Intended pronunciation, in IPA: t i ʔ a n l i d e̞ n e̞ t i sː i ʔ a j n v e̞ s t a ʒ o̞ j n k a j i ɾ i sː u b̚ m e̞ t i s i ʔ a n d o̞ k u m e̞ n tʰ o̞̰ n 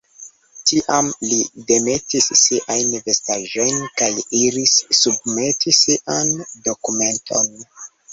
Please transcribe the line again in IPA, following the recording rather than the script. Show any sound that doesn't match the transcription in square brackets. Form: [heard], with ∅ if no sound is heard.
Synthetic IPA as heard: t i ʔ a [m] l i d e̞ [m] e̞ t i sː i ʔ a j n v e̞ s t a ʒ o̞ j n k a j i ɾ i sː u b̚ m e̞ t i s i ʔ a n d o̞ k u m e̞ n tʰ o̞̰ n